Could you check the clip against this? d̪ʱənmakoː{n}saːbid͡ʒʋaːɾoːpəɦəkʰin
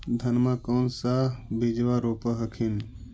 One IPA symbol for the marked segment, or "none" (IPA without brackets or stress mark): n